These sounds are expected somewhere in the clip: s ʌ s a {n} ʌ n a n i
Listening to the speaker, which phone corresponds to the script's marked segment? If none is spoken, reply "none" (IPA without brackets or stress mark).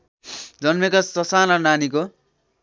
n